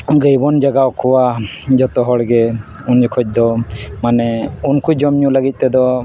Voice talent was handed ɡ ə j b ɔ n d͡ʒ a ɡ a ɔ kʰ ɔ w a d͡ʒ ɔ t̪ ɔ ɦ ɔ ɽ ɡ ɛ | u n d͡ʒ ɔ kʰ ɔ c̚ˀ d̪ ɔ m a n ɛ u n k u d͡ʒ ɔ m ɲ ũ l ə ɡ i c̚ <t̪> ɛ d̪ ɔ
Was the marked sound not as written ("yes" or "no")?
no